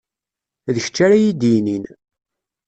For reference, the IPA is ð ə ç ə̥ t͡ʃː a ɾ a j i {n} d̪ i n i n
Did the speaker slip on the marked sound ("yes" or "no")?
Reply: yes